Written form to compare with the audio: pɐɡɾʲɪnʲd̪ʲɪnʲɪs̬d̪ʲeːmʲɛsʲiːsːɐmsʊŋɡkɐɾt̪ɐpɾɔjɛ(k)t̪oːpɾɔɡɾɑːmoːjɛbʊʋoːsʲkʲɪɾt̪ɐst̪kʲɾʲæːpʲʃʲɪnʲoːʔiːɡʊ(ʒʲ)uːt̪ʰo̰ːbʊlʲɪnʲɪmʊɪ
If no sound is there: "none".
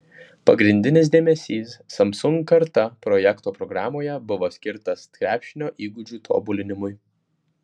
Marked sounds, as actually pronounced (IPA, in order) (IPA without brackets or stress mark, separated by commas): k, d͡ʒʲ